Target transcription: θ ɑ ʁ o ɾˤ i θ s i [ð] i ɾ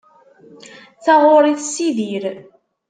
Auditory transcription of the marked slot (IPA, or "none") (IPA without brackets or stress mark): ð